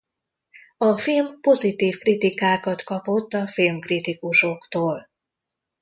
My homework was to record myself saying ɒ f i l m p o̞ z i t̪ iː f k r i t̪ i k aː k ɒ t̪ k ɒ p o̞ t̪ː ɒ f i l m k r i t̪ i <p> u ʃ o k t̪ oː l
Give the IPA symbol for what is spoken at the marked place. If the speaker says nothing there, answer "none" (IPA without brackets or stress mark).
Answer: k